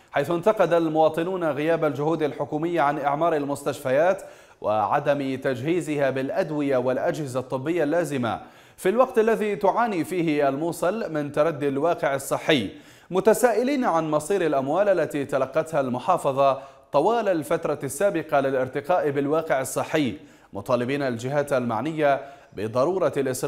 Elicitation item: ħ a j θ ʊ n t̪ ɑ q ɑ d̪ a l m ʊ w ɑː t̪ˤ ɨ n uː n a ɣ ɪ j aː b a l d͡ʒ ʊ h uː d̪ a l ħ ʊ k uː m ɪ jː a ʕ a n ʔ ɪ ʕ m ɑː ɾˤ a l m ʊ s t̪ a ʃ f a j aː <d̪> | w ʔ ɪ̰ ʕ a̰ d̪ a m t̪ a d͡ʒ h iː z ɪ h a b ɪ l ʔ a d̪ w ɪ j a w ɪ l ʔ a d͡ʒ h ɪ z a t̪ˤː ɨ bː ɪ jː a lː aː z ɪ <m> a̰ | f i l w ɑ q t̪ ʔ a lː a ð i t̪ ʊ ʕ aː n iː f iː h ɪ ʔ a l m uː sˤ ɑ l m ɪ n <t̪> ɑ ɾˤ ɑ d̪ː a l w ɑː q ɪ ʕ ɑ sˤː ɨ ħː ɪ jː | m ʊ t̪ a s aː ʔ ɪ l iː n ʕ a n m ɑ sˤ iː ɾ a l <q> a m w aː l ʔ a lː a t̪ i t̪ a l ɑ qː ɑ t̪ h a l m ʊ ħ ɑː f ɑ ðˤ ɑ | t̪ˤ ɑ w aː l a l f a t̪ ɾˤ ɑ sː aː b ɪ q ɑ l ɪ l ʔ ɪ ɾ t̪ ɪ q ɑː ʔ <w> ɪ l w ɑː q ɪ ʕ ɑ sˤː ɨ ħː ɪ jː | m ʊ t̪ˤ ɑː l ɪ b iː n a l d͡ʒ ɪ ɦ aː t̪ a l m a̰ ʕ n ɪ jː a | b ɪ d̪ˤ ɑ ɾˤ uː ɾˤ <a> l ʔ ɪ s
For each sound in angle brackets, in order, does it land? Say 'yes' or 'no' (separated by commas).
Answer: no, yes, yes, no, no, no